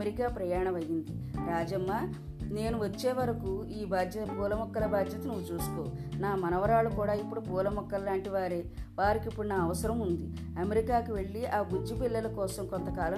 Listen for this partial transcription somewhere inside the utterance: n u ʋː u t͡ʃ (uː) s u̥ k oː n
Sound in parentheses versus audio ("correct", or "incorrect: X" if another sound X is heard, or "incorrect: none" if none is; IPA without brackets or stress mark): correct